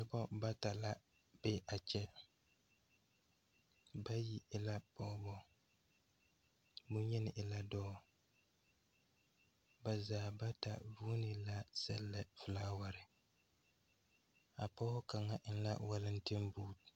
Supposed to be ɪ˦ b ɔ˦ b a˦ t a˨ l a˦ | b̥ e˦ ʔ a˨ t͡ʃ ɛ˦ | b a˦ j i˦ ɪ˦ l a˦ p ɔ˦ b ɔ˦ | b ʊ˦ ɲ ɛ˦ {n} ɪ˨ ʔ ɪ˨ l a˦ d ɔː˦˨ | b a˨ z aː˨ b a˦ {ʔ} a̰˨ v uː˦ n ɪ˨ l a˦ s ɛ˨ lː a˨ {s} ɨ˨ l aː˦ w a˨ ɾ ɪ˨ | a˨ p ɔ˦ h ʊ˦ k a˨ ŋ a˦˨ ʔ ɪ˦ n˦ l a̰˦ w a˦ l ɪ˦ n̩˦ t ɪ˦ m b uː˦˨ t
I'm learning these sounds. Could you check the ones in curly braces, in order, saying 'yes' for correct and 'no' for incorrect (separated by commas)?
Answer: yes, no, no